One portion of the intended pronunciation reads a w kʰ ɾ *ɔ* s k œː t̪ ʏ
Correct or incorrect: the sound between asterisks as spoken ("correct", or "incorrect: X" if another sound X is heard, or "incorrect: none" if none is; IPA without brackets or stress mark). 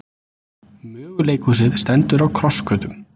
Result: correct